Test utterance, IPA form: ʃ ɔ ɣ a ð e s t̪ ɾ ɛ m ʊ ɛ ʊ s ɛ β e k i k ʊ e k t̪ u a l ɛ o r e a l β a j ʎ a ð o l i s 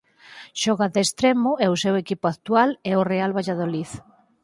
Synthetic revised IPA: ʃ ɔ ɣ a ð e s t̪ ɾ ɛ m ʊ ɛ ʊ s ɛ w e k i p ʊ a k t̪ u a l ɛ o r e a l β a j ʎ a ð o l i θ

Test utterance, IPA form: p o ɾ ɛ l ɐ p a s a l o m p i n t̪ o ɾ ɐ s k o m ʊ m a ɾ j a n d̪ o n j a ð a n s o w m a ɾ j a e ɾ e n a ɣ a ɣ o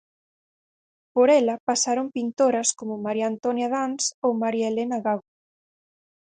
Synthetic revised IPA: p o ɾ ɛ l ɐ p a s a ɾ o m p i n t̪ o ɾ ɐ s k o m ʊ m a ɾ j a n t̪ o n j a ð a n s o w m a ɾ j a e l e n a ɣ a ɣ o

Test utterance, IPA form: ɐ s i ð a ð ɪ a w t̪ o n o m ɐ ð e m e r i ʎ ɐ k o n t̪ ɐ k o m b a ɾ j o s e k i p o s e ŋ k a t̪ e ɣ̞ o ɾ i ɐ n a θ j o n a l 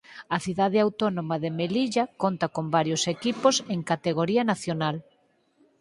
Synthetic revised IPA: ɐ θ i ð a ð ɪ a w t̪ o n o m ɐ ð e m e l i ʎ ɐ k o n t̪ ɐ k o m b a ɾ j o s e k i p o s e ŋ k a t̪ e ɣ̞ o ɾ i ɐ n a θ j o n a l

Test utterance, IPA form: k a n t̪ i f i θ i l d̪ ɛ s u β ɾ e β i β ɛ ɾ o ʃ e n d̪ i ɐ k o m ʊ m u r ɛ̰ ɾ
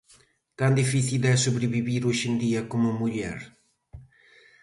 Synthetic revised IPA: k a n d̪ i f i θ i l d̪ ɛ s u β ɾ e β i β i ɾ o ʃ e n d̪ i ɐ k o m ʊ m u ʎ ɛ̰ ɾ

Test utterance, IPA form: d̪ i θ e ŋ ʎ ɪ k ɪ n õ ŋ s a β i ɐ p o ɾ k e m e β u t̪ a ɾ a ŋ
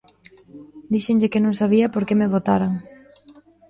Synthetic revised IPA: d̪ i ʃ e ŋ ʎ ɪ k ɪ n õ ŋ s a β i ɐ p o ɾ k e m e β o t̪ a ɾ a ŋ

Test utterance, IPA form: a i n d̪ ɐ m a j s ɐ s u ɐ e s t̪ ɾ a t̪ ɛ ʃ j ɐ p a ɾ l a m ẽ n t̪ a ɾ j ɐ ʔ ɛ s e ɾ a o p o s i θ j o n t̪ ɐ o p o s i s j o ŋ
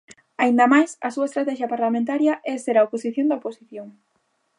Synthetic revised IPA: a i n d̪ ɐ m a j s ɐ s u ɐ e s t̪ ɾ a t̪ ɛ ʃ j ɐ p a ɾ l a m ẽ n t̪ a ɾ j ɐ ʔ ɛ s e ɾ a o p o s i θ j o n d̪ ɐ o p o s i θ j o ŋ

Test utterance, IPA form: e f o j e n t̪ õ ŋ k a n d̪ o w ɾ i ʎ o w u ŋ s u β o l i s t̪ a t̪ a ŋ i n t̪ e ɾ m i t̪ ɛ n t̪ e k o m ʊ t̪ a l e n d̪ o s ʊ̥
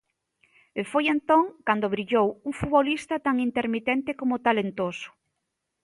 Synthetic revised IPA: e f o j e n t̪ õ ŋ k a n d̪ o β ɾ i ʎ o w u ŋ f u β o l i s t̪ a t̪ a ŋ i n t̪ e ɾ m i t̪ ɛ n t̪ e k o m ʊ t̪ a l e n t̪ o s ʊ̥

